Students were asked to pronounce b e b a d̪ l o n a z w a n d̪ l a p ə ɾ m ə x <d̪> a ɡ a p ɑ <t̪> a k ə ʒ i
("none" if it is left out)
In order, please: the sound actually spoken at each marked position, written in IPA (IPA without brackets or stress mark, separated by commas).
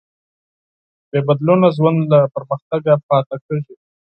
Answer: t̪, t̪